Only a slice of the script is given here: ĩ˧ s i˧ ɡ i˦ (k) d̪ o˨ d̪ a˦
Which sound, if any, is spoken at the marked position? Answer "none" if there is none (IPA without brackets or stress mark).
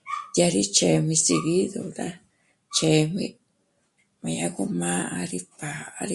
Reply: none